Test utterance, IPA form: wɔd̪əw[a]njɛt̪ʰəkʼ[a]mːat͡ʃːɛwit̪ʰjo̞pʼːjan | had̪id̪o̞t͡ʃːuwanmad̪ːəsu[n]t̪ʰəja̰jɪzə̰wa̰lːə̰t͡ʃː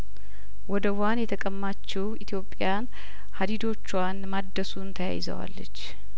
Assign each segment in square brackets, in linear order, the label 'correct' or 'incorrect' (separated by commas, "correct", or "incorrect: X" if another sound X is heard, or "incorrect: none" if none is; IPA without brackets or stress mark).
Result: correct, incorrect: ə, correct